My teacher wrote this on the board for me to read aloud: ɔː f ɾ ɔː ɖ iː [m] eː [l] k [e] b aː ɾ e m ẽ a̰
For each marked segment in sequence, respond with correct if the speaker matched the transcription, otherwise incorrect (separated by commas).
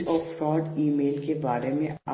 correct, correct, correct